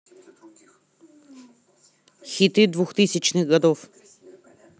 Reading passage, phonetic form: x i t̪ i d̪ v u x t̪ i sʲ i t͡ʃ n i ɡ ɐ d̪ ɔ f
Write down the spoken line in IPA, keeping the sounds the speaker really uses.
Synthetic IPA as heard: x i t̪ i d̪ v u x t̪ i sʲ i t͡ʃ n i ɡ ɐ d̪ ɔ f